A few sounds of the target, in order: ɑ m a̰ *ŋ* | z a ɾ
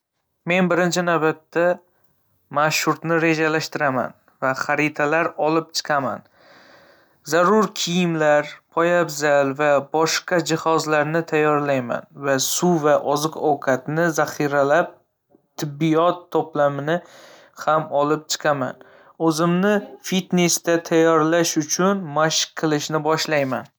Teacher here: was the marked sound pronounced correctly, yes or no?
no